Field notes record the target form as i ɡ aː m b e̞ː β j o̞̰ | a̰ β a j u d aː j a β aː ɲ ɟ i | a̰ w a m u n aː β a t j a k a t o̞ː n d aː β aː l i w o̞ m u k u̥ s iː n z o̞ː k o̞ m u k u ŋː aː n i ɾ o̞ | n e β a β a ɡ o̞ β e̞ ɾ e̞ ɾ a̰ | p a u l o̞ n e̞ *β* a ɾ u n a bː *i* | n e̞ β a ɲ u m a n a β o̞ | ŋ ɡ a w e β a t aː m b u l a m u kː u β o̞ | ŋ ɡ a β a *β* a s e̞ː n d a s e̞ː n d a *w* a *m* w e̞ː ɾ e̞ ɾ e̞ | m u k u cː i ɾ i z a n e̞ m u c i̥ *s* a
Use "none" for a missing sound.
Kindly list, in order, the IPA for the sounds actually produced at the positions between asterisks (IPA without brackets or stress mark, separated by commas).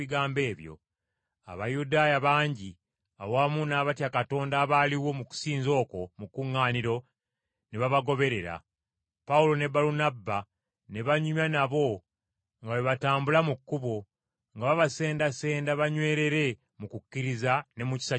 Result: b, a, β, β, ɲ, s